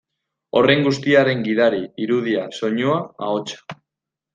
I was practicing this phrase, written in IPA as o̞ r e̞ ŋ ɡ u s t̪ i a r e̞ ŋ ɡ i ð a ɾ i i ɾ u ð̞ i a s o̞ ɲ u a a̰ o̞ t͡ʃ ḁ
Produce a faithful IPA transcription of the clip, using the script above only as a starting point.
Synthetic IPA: o̞ r e̞ ŋ ɡ u s t̪ i a ɾ e̞ ŋ ɡ i ð a ɾ i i ɾ u ð̞ i a s o̞ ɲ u a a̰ o̞ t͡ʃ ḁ